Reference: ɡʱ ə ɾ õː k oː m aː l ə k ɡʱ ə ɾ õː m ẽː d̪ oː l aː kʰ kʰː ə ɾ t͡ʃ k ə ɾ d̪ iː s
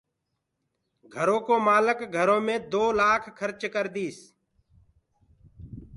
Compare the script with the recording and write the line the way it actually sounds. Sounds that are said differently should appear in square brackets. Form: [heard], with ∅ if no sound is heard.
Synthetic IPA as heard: ɡʱ ə ɾ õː k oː m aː l ə k ɡʱ ə ɾ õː m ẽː d̪ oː l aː kʰ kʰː ə ɾ t͡ʃ k ə ɾ d̪ iː s